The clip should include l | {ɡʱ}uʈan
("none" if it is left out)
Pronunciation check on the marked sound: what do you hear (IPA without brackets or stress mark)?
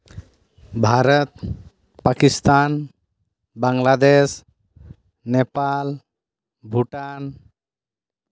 bʱ